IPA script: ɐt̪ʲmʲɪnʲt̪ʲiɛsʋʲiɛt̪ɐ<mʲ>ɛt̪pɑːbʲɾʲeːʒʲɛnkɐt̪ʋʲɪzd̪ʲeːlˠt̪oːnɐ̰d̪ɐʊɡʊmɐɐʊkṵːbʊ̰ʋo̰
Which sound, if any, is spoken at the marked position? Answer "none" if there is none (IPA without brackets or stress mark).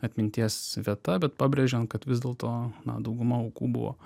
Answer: bʲ